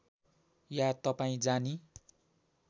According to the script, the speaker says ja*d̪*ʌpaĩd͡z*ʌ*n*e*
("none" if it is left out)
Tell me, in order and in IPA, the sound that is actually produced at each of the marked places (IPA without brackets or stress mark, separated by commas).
t̪, a, i